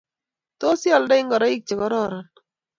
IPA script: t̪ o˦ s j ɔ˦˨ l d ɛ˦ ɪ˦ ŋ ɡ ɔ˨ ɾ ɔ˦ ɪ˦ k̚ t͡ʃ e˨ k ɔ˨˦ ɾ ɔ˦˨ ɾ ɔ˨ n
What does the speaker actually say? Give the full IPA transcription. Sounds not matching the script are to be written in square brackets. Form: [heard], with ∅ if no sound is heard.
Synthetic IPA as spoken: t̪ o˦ s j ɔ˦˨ l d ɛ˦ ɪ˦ ŋ ɡ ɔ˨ ɾ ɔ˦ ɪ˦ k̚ t͡ʃ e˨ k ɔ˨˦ ɾ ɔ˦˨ ɾ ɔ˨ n

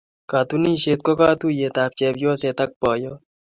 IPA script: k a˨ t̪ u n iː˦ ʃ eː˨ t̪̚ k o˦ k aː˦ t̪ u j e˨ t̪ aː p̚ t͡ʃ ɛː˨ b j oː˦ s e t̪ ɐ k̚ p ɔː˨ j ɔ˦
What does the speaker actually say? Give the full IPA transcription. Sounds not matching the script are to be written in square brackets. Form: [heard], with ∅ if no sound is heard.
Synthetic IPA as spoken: k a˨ t̪ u n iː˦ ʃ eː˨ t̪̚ k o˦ k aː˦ t̪ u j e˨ t̪ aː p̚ t͡ʃ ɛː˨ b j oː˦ s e t̪ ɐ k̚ p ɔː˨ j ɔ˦

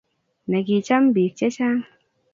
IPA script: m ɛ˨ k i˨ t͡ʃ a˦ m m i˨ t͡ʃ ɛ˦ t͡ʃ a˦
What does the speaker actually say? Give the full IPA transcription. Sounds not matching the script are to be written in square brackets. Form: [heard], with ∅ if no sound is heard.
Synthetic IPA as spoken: [n] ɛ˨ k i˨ t͡ʃ a˦ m [b] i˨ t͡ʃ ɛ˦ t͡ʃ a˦

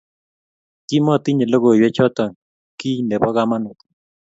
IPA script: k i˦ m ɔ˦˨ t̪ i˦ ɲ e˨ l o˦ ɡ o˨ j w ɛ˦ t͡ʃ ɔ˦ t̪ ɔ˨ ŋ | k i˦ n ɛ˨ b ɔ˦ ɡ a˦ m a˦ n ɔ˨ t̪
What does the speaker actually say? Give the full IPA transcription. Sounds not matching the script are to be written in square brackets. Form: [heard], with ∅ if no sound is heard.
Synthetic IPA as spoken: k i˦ m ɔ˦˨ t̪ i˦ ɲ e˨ l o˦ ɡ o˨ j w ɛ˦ t͡ʃ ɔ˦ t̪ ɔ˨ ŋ | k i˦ n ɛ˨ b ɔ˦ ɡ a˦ m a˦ n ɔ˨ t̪

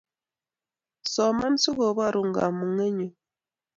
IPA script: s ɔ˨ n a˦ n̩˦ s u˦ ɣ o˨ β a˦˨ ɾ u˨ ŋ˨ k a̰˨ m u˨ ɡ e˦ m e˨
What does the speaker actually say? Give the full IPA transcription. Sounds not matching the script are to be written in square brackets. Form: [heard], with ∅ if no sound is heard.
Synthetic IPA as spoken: s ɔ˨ [m] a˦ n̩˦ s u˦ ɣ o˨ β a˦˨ ɾ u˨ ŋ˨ [ɡ] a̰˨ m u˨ [ŋ] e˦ [ɲ] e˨

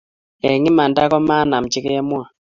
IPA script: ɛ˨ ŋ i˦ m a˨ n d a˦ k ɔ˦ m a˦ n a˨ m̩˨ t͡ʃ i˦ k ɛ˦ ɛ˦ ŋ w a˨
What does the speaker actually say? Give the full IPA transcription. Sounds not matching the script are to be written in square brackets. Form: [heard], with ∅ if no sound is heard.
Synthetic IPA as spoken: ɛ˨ ŋ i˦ m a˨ n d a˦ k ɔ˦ m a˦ n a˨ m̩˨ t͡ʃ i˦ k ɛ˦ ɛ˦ [m] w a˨

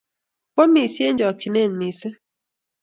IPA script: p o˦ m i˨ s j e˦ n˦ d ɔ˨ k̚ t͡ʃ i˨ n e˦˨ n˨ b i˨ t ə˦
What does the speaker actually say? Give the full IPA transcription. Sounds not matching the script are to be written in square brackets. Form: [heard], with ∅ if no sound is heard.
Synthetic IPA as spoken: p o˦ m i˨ s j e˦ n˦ [d͡ʒ] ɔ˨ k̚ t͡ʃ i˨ n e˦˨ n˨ [m] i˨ [s] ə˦

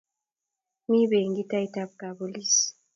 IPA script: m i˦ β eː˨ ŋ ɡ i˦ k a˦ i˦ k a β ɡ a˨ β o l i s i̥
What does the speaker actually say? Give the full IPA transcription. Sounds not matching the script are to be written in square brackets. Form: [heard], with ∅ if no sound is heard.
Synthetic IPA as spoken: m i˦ β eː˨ ŋ ɡ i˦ [t] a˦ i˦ [t] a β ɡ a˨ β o l i s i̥

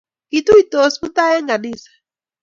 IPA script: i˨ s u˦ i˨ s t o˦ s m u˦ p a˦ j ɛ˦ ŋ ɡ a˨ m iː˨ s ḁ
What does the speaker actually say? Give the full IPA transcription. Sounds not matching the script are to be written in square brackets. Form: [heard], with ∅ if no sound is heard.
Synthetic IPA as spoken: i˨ [t] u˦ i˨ [∅] t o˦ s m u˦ [t] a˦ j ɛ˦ ŋ ɡ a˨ [n] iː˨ s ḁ

